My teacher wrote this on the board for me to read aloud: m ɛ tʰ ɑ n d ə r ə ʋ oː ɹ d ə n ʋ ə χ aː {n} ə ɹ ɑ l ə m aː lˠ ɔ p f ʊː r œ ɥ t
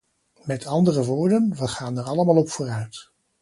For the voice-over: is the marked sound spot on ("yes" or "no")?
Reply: yes